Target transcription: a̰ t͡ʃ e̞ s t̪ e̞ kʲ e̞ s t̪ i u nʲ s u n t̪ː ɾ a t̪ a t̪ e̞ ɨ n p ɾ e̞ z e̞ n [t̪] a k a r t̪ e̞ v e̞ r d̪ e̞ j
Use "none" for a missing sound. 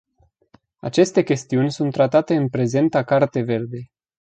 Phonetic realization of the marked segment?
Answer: t̪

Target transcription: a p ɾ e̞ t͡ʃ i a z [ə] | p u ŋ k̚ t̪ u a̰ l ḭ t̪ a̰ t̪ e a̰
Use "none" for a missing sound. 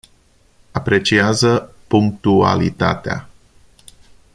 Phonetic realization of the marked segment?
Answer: ə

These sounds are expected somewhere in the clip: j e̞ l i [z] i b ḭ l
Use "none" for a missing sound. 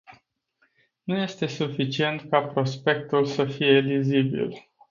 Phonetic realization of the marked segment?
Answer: z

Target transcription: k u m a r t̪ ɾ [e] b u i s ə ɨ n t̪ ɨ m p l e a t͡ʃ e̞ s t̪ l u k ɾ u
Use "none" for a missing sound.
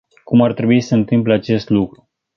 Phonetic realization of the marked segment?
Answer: e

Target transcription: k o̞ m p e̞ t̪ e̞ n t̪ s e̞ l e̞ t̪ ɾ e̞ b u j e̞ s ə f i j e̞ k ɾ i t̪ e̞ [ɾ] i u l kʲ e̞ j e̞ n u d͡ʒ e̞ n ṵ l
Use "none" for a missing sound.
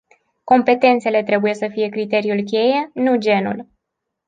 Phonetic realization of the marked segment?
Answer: ɾ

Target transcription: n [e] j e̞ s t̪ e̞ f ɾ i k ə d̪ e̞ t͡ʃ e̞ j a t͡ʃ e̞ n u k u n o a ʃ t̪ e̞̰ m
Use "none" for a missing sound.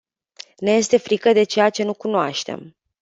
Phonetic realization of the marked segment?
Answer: e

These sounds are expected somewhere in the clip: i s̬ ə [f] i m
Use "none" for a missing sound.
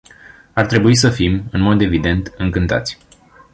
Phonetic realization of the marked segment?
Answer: f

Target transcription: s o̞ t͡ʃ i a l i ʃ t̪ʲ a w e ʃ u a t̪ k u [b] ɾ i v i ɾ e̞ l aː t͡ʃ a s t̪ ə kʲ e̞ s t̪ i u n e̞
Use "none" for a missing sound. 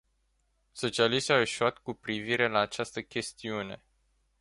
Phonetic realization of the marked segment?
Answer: p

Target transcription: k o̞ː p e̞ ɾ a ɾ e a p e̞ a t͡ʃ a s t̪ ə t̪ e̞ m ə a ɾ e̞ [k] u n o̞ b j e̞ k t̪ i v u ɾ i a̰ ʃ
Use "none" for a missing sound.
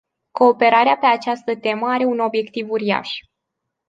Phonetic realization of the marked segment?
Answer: none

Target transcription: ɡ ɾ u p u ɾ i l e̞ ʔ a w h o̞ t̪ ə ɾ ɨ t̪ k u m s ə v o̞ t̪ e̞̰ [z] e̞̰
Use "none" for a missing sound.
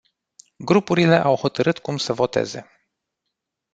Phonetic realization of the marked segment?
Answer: z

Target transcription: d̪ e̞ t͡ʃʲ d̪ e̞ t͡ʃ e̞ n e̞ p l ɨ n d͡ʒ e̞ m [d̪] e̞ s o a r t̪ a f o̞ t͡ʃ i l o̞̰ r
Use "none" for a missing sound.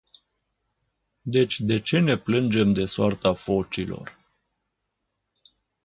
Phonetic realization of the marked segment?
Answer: d̪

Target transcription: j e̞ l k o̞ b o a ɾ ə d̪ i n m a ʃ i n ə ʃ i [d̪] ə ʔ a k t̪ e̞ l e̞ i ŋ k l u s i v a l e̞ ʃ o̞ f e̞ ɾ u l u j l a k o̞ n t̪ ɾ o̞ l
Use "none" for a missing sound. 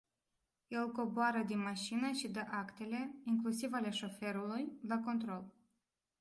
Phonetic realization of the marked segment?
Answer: d̪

